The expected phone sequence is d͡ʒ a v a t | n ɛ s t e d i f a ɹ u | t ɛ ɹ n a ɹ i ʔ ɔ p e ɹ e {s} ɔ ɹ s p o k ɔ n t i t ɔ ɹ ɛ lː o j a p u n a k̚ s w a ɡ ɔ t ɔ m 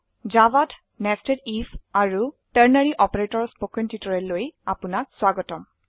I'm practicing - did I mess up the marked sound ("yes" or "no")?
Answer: yes